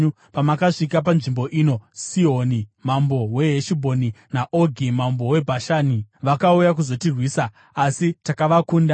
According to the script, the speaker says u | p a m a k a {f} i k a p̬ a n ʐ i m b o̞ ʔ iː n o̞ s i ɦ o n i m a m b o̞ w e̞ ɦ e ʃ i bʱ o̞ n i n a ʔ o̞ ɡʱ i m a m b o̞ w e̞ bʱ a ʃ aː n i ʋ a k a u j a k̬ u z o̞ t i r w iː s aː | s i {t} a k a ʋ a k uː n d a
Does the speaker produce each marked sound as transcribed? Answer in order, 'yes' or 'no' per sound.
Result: no, yes

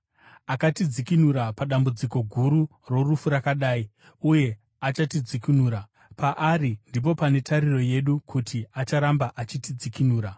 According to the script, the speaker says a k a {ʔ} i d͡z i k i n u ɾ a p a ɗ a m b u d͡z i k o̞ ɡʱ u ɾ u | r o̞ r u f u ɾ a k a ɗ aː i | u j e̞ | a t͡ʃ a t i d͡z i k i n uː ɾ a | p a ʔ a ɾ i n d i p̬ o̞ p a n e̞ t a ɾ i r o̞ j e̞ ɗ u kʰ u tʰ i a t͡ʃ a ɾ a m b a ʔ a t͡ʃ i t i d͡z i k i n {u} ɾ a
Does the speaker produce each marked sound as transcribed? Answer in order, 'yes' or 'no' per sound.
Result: no, no

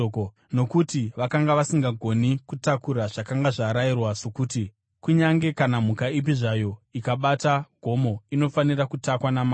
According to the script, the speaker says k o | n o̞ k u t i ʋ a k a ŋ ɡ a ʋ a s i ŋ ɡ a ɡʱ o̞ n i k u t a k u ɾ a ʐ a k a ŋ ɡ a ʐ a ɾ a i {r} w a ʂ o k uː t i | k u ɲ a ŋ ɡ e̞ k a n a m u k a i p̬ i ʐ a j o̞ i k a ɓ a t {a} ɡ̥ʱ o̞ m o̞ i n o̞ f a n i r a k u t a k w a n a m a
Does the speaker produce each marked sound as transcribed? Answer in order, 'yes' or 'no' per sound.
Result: yes, yes

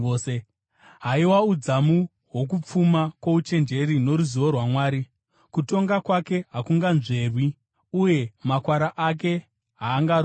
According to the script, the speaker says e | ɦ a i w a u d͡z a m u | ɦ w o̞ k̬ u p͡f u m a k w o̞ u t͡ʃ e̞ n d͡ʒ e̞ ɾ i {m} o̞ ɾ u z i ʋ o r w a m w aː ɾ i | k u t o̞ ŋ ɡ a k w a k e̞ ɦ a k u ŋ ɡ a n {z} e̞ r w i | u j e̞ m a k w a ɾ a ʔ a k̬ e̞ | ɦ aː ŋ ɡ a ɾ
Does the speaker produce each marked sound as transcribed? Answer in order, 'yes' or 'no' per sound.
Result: no, no

